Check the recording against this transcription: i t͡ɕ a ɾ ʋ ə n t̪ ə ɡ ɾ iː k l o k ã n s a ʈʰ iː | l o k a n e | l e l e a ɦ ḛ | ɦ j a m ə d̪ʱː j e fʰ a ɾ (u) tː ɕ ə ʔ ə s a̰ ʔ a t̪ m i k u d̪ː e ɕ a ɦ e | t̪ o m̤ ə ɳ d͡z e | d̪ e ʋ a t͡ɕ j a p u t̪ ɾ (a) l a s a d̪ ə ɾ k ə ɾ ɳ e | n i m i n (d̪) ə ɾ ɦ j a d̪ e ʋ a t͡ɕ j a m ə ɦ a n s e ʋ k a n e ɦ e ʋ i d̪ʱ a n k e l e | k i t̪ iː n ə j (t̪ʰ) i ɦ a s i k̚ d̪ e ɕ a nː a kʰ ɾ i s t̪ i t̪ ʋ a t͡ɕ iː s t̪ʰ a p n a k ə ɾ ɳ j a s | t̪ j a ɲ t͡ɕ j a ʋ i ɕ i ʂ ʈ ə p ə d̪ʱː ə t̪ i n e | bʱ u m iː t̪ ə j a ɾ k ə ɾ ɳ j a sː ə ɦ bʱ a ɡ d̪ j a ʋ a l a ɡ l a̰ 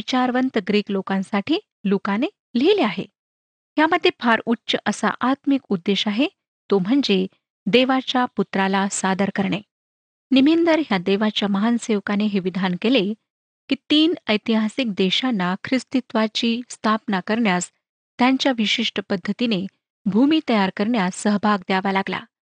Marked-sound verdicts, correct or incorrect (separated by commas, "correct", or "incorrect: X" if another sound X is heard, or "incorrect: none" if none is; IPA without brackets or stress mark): correct, correct, correct, incorrect: t̪